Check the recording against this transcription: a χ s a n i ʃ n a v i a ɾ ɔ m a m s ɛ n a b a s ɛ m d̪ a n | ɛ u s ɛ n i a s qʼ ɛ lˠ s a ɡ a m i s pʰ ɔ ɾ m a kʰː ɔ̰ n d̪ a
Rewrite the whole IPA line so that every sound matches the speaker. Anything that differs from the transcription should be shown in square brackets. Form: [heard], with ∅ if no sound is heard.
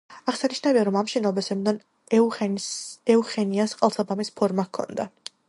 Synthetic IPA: a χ s a n i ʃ n a v i a ɾ ɔ m a m [ʃ] ɛ n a b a s ɛ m d̪ a n | ɛ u [χ] ɛ n i a s qʼ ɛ lˠ s a [b] a m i s pʰ ɔ ɾ m a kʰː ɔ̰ n d̪ a